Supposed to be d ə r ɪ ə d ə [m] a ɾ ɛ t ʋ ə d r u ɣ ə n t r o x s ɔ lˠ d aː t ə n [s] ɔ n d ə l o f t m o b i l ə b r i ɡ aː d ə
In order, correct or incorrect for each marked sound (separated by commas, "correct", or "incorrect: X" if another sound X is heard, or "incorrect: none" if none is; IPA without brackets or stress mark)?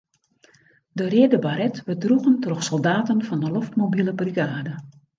incorrect: b, incorrect: f